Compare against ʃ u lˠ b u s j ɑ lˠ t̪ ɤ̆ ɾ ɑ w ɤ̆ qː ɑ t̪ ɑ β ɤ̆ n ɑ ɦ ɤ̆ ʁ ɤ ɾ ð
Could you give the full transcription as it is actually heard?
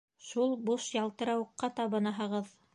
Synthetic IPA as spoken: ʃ u lˠ b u ʃ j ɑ lˠ t̪ ɤ̆ ɾ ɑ w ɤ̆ qː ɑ t̪ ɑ β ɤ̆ n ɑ ɦ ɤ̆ ʁ ɤ ð